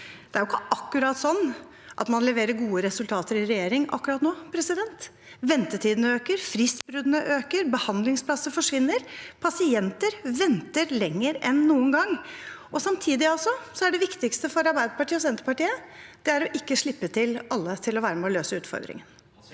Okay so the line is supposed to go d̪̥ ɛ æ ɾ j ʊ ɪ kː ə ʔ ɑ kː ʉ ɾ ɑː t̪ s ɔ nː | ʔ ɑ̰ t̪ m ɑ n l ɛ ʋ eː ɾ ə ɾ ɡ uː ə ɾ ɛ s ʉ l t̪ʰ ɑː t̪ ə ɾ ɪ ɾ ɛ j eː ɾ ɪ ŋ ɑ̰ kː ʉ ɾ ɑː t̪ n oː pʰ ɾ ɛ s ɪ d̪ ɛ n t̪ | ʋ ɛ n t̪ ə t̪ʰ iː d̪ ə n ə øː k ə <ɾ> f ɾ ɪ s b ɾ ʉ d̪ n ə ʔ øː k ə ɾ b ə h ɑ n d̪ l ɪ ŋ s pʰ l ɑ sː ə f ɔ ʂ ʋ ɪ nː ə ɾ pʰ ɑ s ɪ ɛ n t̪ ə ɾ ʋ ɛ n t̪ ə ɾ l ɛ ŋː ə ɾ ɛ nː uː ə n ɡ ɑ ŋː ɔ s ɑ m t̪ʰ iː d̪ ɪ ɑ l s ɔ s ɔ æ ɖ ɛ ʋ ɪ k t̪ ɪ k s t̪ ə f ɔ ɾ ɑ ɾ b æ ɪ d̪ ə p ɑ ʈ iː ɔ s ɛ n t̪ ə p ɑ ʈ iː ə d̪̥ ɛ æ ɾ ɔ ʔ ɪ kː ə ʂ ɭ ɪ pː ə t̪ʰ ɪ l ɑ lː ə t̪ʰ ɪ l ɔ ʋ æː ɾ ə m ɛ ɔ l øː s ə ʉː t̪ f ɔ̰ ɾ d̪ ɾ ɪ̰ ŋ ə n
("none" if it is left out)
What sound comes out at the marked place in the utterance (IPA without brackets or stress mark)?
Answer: ɾ